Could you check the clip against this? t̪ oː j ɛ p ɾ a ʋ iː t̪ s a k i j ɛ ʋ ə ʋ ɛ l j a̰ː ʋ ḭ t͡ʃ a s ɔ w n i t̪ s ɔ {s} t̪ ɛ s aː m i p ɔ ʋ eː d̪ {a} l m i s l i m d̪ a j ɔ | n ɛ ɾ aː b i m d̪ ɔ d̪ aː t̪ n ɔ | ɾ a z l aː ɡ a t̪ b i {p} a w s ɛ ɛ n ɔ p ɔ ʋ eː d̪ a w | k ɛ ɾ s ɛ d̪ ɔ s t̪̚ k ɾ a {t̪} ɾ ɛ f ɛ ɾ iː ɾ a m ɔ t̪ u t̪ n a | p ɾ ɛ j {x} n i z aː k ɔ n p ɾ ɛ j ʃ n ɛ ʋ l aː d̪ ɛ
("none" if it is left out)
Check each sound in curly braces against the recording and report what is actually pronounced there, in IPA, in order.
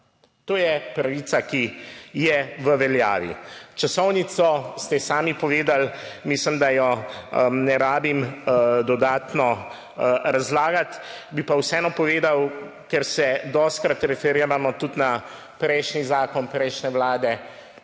s, a, p, t̪, ʃ

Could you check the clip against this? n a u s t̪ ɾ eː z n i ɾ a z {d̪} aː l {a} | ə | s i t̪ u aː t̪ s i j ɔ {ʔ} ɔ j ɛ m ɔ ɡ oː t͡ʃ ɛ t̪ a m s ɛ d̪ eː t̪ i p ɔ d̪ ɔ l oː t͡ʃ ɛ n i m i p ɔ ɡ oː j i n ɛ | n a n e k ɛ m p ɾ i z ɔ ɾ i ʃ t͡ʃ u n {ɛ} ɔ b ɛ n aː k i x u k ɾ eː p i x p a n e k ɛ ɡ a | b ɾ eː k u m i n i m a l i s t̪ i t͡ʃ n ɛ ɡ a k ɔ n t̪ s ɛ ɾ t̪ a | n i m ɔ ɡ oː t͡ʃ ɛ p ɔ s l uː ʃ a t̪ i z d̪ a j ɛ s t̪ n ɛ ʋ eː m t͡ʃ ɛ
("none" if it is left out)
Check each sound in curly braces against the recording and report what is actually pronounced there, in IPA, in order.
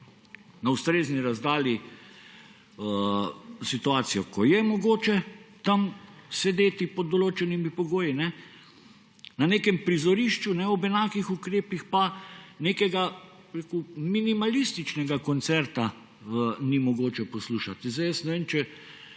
d̪, i, k, ɛ

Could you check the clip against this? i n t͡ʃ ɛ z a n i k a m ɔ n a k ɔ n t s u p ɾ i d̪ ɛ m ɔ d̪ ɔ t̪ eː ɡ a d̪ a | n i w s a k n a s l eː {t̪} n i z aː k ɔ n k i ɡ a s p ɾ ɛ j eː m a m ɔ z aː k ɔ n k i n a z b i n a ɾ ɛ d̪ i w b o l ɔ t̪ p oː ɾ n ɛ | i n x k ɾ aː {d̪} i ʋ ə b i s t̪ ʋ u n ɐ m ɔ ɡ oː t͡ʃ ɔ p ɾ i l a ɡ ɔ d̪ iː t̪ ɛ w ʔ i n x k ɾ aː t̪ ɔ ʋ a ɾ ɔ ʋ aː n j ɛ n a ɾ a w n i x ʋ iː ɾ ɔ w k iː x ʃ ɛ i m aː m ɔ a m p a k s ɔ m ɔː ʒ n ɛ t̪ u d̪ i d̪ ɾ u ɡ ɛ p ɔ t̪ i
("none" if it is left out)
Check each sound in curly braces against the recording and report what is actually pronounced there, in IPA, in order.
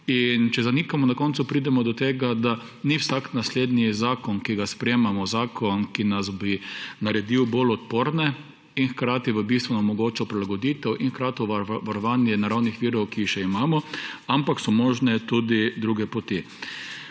d̪, t̪

